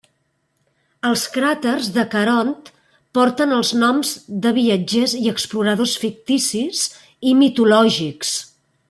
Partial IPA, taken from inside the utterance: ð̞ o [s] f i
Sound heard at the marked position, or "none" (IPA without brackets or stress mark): s